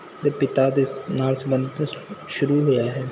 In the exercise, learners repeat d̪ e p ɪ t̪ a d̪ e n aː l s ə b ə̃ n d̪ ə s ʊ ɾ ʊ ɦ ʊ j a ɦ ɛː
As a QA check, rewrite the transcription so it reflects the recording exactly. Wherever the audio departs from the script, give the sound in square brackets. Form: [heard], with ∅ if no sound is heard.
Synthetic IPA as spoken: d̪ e p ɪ t̪ a d̪ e n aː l s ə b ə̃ n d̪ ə [ʃ] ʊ ɾ [u] ɦ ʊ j a ɦ ɛː